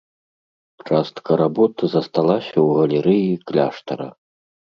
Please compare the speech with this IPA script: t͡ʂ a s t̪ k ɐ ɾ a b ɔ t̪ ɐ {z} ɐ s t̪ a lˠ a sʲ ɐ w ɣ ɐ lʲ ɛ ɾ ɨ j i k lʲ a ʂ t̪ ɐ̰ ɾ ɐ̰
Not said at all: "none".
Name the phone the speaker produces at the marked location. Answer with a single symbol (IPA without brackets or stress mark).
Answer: z